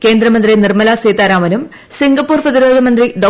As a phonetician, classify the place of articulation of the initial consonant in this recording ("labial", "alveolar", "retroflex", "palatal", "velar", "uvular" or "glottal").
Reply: velar